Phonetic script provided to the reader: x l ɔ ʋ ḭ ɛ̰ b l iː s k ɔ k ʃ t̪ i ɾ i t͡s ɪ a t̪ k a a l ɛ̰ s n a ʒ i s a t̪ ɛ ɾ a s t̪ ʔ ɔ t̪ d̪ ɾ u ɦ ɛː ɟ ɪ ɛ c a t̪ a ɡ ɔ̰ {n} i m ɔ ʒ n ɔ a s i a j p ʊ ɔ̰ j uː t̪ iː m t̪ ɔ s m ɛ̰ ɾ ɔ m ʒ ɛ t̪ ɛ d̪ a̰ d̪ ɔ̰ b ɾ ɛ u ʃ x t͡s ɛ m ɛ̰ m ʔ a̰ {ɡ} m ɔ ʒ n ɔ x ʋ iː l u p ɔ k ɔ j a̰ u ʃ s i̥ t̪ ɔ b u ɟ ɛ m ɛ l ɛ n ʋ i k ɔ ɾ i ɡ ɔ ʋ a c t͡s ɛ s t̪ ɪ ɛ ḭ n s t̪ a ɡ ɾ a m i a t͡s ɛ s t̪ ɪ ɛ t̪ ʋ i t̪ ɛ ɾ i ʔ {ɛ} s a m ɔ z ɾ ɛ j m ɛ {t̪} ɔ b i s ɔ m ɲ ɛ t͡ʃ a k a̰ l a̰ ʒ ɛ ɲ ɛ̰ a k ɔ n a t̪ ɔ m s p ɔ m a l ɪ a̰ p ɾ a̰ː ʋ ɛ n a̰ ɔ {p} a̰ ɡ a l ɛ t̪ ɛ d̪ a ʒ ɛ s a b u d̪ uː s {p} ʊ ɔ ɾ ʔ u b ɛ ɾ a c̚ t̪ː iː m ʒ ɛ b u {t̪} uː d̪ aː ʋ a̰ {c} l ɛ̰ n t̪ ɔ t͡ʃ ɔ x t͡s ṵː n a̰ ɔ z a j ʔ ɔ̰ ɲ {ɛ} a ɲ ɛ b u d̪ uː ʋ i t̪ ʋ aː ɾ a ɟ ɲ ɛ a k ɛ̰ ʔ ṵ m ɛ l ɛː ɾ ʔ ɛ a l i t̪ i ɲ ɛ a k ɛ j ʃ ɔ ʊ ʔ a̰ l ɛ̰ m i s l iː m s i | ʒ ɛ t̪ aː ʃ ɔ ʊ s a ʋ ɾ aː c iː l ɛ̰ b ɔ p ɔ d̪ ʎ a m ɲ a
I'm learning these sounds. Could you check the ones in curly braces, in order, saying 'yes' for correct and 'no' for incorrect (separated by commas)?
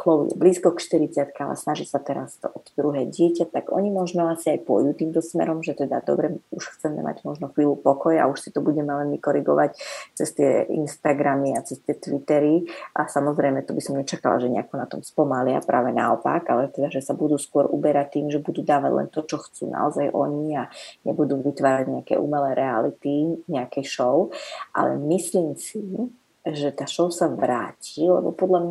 no, no, no, yes, yes, no, no, no, no